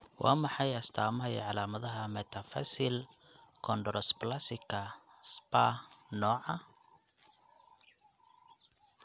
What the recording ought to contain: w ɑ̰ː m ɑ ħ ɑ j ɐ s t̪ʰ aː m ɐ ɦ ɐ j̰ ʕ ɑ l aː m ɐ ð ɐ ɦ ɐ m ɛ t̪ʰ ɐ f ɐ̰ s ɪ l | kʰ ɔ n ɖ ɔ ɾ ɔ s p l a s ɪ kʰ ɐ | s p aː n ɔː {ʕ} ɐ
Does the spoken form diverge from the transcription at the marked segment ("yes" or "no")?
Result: no